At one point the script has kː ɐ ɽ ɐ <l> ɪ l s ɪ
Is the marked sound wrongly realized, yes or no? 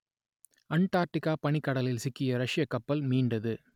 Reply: no